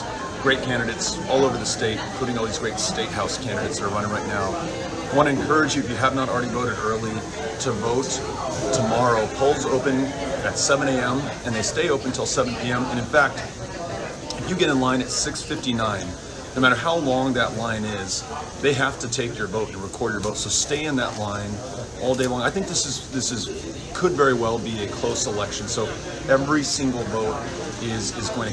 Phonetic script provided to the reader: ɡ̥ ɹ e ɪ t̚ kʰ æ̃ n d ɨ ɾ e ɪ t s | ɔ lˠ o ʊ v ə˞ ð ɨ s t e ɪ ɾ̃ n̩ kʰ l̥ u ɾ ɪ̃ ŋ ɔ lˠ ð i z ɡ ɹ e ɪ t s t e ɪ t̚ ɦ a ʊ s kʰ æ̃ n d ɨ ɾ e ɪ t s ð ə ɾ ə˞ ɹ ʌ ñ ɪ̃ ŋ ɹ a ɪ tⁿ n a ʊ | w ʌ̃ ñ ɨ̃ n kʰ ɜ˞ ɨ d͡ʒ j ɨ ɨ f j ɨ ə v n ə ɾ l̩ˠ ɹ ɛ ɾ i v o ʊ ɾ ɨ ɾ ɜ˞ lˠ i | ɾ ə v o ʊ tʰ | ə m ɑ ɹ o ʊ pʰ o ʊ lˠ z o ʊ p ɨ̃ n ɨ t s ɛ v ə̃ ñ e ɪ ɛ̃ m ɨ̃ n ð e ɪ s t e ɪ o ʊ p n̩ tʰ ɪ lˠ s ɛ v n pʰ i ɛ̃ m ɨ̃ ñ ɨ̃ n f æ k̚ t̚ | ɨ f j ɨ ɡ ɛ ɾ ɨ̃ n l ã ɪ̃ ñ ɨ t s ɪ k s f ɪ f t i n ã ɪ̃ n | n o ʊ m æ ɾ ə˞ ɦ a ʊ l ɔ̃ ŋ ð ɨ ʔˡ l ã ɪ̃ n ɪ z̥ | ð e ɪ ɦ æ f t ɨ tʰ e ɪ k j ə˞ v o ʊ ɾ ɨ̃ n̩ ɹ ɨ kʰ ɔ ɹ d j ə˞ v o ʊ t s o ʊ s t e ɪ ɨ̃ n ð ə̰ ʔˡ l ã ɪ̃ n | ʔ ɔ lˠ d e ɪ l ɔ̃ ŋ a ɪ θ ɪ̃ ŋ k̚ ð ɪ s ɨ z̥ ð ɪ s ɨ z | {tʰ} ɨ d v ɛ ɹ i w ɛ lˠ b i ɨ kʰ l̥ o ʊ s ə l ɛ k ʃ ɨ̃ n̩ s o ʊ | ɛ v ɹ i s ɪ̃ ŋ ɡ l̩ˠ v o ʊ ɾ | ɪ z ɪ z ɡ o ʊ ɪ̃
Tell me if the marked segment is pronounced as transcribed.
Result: no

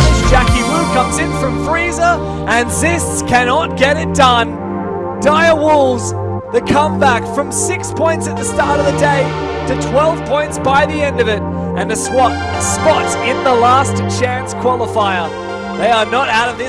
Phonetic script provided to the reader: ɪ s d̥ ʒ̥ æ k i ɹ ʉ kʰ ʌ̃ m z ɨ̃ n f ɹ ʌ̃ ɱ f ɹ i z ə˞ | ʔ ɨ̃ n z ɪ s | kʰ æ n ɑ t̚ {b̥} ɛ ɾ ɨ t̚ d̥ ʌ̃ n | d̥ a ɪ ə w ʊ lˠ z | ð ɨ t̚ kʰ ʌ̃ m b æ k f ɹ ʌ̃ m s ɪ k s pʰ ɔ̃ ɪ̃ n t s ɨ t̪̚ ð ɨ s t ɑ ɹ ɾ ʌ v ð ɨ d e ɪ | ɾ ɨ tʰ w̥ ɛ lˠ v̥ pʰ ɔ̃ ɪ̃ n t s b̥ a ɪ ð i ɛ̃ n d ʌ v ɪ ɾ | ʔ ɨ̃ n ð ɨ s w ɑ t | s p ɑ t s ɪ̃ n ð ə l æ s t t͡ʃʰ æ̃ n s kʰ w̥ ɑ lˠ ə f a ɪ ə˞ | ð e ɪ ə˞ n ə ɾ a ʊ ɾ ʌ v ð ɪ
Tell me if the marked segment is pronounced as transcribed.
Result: no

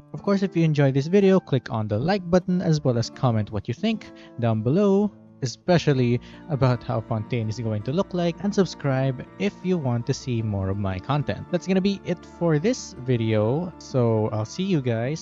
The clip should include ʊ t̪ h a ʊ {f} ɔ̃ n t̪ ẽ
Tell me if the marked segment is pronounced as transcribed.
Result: yes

